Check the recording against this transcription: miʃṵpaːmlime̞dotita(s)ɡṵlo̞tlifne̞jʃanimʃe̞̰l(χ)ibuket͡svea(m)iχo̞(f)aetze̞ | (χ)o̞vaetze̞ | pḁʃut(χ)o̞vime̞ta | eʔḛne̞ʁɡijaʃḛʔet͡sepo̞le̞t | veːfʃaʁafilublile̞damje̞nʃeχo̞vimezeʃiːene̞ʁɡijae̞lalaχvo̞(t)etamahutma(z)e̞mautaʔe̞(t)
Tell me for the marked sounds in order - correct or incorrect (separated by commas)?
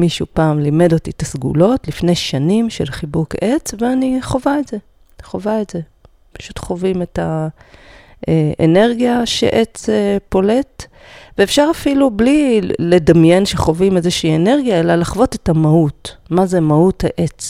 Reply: correct, correct, incorrect, incorrect, correct, correct, correct, correct, incorrect